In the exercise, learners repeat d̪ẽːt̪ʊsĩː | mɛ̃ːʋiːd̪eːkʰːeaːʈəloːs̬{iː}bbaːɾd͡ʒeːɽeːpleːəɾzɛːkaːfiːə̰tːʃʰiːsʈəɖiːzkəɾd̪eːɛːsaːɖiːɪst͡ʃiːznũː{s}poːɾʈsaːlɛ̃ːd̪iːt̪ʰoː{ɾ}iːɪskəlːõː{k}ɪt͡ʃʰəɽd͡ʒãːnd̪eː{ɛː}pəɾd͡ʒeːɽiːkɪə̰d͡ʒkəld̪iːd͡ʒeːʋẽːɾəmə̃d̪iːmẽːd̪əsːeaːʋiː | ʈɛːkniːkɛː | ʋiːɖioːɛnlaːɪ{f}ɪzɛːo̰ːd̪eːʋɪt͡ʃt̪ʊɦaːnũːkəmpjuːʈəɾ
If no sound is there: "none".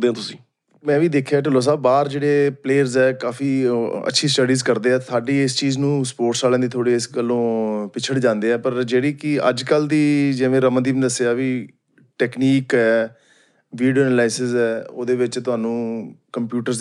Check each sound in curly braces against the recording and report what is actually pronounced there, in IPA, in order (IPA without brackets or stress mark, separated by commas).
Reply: aː, s, ɽ, p, ɛː, s